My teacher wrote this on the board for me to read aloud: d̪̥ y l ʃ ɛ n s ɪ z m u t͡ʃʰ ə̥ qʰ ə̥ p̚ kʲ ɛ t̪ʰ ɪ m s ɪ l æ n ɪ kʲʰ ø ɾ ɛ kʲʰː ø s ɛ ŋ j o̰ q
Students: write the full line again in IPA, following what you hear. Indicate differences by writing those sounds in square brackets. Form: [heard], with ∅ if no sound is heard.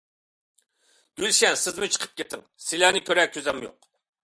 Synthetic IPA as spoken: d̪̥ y l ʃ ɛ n s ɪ z m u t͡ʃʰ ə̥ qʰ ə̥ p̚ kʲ [e] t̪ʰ ɪ [ŋ] s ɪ l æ n ɪ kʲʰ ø ɾ ɛ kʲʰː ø [z] ɛ [m] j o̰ q